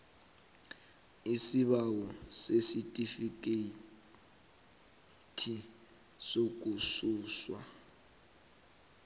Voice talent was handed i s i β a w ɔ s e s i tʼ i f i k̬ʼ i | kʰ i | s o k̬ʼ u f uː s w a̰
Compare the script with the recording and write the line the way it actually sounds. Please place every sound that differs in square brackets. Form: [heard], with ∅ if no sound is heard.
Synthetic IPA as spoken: i s i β a w ɔ s e s i tʼ i f i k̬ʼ [e] | [tʰ] i | s o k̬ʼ u [s] uː s w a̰